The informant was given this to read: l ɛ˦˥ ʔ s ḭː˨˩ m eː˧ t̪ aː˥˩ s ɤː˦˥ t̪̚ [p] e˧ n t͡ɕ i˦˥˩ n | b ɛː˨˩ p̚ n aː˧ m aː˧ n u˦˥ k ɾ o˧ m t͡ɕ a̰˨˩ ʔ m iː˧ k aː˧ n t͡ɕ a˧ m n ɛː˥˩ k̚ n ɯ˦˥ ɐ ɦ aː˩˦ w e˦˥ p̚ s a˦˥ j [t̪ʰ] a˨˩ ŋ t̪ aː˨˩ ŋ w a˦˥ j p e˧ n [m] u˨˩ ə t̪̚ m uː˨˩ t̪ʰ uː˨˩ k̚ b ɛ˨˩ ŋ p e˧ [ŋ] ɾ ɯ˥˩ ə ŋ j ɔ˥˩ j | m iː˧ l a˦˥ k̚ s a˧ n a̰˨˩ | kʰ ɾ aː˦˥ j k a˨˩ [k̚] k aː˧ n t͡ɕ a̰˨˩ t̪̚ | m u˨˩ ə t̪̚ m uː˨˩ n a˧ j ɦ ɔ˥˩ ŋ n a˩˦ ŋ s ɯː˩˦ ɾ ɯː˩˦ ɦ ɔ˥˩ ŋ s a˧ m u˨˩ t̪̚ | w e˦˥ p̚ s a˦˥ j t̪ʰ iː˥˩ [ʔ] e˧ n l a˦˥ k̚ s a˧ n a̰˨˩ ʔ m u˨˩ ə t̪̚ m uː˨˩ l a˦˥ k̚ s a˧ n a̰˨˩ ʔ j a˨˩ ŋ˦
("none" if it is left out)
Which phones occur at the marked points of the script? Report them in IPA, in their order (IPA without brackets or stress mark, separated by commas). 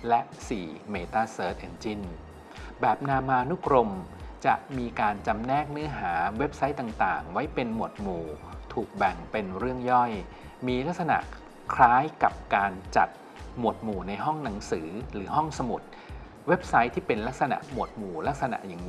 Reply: ʔ, t̪, m, n, p̚, p